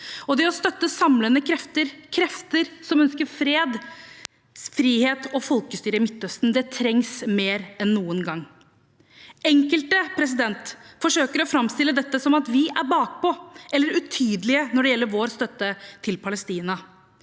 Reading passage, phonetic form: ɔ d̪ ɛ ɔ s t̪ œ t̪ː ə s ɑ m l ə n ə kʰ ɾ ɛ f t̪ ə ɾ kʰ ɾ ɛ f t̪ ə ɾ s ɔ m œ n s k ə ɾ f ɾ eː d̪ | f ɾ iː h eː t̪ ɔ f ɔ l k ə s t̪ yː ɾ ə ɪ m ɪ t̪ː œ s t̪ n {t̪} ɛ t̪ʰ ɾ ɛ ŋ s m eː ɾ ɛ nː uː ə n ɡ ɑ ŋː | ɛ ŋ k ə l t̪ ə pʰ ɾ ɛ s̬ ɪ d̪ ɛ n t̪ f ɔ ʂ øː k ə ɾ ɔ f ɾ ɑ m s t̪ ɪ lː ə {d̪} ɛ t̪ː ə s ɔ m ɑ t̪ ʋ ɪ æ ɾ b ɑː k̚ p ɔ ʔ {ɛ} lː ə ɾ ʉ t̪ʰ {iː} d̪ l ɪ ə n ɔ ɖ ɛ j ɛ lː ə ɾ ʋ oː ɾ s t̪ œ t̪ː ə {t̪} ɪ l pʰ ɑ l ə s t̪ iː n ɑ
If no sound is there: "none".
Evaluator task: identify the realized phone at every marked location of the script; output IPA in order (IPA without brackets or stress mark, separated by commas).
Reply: d̪, d̪, ɛ, yː, t̪ʰ